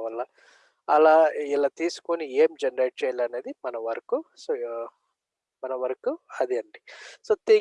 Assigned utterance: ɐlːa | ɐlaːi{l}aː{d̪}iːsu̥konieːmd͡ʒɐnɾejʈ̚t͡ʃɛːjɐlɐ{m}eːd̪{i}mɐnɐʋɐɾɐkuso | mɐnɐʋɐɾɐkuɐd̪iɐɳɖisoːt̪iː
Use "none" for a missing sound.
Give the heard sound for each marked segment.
l, t̪, n, i

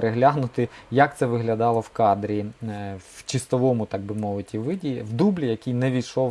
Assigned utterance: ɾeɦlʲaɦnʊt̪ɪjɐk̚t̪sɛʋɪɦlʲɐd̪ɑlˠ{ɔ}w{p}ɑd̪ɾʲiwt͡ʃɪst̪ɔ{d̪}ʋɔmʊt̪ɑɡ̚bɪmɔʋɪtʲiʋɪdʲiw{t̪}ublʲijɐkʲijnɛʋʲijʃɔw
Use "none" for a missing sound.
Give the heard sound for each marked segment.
ɔ, k, none, d̪

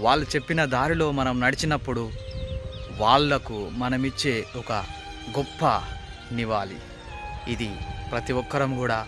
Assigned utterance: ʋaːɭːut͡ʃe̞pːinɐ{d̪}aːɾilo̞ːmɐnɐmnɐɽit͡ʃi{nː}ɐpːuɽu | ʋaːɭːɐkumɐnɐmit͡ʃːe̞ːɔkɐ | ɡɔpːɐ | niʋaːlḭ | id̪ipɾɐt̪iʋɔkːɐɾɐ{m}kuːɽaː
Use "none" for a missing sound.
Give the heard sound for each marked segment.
d̪, n, m

